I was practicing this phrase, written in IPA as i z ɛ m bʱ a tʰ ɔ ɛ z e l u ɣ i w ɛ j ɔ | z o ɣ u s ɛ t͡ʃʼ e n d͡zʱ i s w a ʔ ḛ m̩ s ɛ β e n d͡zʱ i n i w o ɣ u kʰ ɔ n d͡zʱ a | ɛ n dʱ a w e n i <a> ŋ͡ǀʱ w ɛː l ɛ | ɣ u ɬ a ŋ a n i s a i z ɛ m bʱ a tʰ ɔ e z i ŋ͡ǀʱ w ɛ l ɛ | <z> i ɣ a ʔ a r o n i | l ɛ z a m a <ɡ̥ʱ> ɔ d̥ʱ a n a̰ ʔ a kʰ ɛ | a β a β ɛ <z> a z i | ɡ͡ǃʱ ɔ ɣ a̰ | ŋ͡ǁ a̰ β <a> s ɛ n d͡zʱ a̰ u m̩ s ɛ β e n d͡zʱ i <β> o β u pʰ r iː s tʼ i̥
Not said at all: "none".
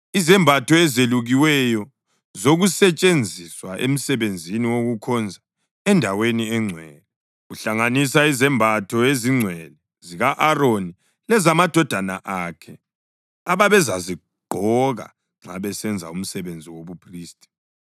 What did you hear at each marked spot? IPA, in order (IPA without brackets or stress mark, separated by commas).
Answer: ɛ, z, d̥ʱ, z, ɛ, w